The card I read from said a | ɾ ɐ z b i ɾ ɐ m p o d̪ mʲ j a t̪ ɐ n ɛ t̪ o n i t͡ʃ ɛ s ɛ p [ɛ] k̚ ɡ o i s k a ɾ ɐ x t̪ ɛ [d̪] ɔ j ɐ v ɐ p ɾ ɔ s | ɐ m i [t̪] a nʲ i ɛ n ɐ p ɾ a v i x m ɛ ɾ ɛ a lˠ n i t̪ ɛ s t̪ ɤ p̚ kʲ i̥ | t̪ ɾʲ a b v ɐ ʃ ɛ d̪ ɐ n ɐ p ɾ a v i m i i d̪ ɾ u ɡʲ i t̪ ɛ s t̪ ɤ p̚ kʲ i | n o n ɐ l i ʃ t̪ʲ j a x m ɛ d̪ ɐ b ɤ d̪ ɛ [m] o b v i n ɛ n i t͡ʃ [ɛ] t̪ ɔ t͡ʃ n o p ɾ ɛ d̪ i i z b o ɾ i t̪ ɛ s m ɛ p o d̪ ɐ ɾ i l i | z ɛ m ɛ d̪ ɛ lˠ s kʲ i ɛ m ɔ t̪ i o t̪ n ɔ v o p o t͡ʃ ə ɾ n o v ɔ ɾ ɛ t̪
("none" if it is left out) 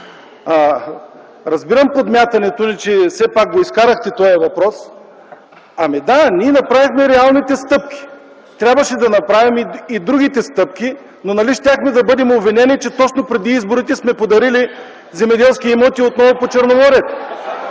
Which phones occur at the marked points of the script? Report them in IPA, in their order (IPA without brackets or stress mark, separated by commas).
a, t̪, d̪, m, ɛ